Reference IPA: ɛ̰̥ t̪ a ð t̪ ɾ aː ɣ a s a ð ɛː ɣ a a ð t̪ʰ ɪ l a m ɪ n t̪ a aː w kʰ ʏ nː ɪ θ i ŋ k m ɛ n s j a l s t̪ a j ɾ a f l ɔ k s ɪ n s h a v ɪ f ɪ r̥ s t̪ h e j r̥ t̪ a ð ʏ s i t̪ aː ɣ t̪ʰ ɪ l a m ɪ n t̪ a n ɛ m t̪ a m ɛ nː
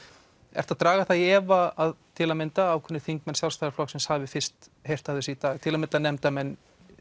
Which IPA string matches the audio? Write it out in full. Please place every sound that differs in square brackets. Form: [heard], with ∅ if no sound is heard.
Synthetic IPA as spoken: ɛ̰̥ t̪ a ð t̪ ɾ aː ɣ a [θ] a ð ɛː [v] a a ð t̪ʰ ɪ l a m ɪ n t̪ a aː w kʰ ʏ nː ɪ θ i ŋ k m ɛ n s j a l s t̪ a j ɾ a f l ɔ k s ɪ n s h a v ɪ f ɪ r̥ s t̪ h e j r̥ t̪ a ð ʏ s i t̪ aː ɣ t̪ʰ ɪ l a m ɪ n t̪ a n ɛ m t̪ a m ɛ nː